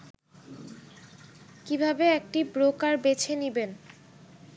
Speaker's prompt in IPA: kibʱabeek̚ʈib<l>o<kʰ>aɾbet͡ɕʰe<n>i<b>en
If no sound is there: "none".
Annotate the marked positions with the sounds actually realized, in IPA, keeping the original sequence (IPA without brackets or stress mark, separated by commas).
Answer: ɾ, k, n, b